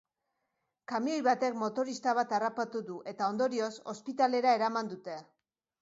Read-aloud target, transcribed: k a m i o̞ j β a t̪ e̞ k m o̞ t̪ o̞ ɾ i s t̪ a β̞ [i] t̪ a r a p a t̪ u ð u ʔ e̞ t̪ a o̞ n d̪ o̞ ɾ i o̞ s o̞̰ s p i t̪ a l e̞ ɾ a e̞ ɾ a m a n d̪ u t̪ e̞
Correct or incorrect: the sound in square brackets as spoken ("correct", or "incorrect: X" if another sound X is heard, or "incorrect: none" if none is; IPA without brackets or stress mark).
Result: incorrect: a